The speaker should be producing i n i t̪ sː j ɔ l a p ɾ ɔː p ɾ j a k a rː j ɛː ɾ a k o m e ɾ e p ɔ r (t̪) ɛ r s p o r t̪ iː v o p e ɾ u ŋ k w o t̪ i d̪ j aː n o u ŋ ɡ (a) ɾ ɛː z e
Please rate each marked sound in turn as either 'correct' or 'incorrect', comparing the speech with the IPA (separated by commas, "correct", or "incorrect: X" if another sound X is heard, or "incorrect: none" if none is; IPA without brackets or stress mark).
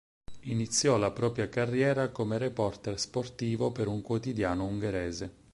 correct, incorrect: e